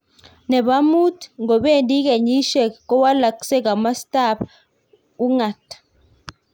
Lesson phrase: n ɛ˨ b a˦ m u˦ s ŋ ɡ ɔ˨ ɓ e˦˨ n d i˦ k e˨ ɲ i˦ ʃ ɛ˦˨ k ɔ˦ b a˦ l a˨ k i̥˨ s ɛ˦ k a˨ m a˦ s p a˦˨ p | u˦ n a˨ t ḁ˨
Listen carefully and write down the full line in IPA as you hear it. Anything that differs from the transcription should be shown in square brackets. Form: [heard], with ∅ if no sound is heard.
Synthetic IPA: n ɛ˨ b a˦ m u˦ [t] ŋ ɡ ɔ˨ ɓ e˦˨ n d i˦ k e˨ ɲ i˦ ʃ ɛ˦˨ k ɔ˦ [w] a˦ l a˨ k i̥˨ s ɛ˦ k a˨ m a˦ s [t] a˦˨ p | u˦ [ŋ] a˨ t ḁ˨